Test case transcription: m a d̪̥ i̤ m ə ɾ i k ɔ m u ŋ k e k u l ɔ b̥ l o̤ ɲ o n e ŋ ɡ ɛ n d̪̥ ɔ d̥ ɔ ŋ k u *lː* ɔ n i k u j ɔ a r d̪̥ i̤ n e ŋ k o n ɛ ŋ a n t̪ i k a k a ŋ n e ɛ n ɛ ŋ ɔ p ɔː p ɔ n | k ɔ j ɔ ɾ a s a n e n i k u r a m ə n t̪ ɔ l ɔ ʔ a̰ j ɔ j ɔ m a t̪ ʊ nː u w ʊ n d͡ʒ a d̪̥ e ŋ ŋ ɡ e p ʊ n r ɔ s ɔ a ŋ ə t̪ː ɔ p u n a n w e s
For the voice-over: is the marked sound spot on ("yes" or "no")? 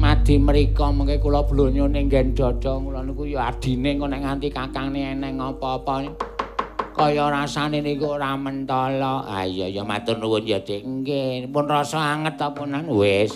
no